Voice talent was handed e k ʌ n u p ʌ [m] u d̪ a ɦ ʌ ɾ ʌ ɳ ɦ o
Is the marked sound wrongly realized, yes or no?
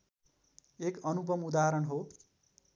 no